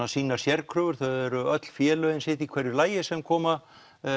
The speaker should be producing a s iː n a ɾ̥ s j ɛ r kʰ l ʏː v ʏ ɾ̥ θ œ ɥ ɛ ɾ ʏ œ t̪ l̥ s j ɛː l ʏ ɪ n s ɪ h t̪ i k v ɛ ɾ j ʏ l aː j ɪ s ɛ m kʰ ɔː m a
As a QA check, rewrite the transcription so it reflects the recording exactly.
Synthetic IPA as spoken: a s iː n a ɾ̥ s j ɛ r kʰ ɾ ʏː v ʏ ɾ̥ θ œ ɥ ɛ ɾ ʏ œ t̪ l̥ f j ɛː l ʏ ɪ n s ɪ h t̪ i kʰ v ɛ ɾ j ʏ l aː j ɪ s ɛ m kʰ ɔː m a